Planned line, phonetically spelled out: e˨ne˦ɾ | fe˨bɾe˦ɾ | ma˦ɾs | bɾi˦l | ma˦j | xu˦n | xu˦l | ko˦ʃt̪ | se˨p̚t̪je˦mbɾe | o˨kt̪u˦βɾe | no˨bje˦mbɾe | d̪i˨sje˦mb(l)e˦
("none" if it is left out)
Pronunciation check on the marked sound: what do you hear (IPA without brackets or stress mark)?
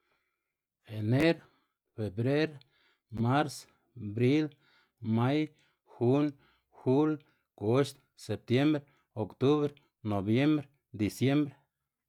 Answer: ɾ